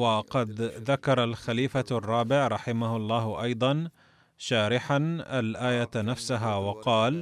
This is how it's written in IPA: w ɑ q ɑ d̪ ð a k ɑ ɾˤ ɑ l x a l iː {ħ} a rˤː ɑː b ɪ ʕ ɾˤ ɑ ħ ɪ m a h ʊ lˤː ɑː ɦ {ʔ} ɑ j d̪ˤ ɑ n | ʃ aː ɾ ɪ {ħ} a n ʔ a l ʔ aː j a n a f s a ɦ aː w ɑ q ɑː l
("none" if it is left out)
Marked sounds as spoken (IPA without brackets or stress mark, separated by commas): f, ʔ, ħ